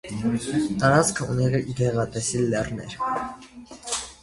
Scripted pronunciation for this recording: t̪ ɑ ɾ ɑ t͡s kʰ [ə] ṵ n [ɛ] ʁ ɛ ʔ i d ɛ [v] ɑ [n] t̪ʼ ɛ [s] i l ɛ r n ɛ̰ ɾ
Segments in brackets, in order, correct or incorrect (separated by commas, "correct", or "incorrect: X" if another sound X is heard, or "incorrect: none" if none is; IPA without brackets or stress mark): correct, correct, incorrect: ʁ, incorrect: none, correct